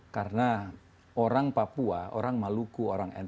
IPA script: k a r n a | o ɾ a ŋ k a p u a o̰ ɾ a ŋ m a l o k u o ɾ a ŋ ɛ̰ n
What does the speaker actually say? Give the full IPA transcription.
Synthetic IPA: k a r n a | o ɾ a ŋ p a p u a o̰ ɾ a ŋ m a l u k u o ɾ a ŋ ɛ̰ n